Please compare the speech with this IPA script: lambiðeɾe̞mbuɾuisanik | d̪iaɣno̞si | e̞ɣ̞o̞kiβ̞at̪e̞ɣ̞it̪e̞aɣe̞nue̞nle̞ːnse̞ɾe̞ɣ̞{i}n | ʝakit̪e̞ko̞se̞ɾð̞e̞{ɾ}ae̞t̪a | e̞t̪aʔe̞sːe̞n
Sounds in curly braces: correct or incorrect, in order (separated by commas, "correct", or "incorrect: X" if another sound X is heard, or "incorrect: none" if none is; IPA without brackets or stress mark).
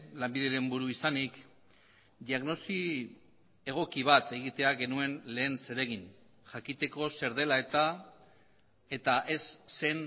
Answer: correct, incorrect: l